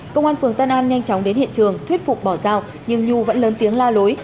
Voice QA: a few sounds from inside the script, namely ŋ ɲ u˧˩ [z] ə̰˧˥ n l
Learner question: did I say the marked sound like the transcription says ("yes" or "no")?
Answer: no